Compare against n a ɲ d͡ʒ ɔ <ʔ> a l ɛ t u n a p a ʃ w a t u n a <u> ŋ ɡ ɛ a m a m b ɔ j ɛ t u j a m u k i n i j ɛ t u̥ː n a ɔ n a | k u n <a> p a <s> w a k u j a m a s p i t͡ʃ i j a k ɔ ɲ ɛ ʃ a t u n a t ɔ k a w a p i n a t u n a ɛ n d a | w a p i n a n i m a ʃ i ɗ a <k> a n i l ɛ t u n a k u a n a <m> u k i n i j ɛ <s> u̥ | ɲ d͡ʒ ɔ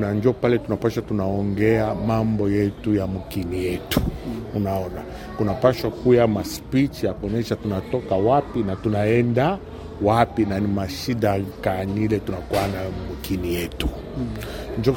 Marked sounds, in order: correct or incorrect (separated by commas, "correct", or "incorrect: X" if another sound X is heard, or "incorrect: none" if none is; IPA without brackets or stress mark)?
incorrect: p, incorrect: ɔ, correct, incorrect: ʃ, correct, correct, incorrect: t